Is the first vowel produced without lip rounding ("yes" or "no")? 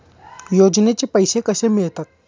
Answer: no